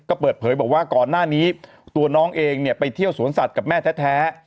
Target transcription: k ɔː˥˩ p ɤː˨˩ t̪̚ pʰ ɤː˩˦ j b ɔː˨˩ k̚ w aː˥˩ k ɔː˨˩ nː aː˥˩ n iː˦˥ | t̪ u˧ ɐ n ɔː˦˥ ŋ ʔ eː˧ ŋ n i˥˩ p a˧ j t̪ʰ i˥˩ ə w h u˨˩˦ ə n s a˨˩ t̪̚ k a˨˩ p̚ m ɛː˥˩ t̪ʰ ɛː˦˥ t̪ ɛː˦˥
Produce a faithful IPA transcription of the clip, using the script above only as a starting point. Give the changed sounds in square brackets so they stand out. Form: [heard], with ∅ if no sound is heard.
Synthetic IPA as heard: k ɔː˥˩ p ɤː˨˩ t̪̚ pʰ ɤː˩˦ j b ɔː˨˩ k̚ w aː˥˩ k ɔː˨˩ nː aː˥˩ n iː˦˥ | t̪ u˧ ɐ n ɔː˦˥ ŋ ʔ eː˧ ŋ n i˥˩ p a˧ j t̪ʰ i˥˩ ə w [s] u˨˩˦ ə n s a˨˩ t̪̚ k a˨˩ p̚ m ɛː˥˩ t̪ʰ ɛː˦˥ [t̪ʰ] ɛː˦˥